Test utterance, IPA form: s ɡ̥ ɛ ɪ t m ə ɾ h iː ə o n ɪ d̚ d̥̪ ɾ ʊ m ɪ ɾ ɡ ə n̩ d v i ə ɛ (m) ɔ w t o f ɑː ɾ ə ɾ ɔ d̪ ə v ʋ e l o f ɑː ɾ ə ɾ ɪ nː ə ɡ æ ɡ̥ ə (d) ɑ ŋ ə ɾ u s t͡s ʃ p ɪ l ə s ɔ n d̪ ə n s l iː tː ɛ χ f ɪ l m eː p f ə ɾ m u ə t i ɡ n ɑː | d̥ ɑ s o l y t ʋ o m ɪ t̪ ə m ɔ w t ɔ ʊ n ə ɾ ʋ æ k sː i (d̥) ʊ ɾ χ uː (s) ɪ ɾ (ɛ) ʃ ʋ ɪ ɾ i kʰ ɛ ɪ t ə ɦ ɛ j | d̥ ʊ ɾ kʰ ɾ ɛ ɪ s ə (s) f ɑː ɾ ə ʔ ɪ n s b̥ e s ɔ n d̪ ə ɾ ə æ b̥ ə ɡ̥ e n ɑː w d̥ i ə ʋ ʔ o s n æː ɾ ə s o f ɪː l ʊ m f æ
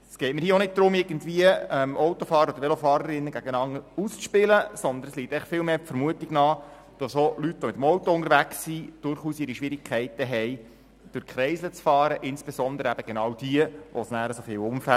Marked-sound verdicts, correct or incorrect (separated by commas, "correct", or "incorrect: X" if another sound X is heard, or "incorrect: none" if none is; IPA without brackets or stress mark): correct, incorrect: n, correct, correct, incorrect: i, incorrect: t͡s